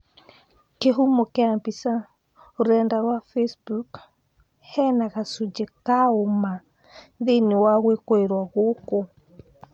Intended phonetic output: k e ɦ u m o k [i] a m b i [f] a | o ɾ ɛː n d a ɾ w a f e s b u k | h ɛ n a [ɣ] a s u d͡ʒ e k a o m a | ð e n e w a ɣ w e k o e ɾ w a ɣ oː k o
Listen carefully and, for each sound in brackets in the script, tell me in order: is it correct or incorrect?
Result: incorrect: e, incorrect: s, correct

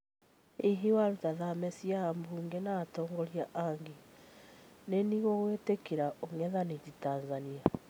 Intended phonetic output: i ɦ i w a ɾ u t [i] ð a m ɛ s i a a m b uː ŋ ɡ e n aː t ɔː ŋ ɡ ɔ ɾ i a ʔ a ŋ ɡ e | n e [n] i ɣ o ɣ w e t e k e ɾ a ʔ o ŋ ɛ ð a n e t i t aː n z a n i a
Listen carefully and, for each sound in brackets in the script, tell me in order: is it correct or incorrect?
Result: incorrect: a, correct

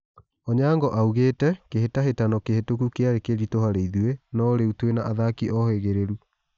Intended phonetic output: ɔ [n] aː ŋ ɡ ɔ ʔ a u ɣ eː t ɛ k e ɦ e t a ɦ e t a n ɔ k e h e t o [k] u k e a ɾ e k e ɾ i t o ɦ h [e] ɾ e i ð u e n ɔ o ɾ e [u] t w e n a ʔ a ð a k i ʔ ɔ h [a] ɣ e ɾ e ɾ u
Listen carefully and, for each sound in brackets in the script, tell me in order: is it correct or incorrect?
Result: incorrect: ɲ, correct, incorrect: a, correct, incorrect: e

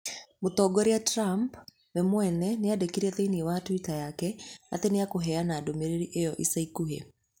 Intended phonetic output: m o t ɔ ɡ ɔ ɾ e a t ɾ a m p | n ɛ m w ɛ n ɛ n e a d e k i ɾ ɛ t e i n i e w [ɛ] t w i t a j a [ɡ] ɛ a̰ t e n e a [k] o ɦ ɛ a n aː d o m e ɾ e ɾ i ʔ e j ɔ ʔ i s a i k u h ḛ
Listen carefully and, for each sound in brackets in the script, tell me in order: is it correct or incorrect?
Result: incorrect: a, incorrect: k, correct

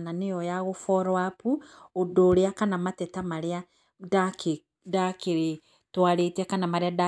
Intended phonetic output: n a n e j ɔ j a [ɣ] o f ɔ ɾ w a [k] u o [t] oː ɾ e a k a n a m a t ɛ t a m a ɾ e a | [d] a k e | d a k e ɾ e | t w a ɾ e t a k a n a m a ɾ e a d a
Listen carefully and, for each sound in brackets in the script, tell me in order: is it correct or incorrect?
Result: correct, incorrect: p, incorrect: d, correct

